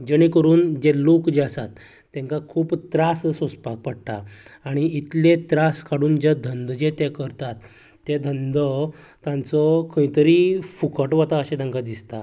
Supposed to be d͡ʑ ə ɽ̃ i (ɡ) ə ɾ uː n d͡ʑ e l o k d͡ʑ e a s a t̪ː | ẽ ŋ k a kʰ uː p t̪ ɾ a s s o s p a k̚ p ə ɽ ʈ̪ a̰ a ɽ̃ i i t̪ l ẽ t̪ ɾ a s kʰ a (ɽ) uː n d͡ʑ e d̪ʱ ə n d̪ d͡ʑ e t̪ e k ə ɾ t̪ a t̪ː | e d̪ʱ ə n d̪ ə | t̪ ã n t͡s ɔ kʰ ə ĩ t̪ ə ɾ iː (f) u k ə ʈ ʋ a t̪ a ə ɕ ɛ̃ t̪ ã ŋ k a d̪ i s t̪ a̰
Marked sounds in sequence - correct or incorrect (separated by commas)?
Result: incorrect, correct, correct